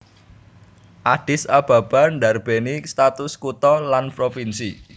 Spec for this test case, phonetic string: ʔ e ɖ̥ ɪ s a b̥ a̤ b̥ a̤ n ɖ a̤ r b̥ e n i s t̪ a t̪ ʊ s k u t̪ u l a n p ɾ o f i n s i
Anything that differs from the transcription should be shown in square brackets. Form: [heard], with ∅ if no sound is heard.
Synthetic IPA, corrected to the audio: ʔ [a] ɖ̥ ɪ s a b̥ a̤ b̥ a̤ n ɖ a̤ r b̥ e n i s t̪ a t̪ ʊ s k u t̪ [ɔ] l a n p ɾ o f i n s i